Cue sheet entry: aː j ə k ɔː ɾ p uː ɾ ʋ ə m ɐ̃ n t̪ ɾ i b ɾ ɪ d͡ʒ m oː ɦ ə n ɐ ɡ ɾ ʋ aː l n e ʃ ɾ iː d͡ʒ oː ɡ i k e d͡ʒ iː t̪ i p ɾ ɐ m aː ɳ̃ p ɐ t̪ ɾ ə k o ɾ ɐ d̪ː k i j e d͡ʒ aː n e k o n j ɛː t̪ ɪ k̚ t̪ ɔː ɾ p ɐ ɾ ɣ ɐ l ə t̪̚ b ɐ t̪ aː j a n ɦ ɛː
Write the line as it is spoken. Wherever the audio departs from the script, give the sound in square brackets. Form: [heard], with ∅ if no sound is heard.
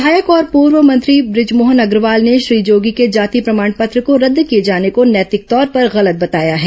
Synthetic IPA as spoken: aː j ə k ɔː ɾ p uː ɾ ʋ ə m ɐ̃ n t̪ ɾ i b ɾ ɪ d͡ʒ m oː ɦ ə n ɐ ɡ ɾ ʋ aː l n e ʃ ɾ iː d͡ʒ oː ɡ i k e d͡ʒ [aː] t̪ i p ɾ ɐ m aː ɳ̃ p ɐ t̪ ɾ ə k o ɾ ɐ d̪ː k i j e d͡ʒ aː n e k o n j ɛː t̪ ɪ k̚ t̪ ɔː ɾ p ɐ ɾ ɣ ɐ l ə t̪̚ b ɐ t̪ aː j a [∅] ɦ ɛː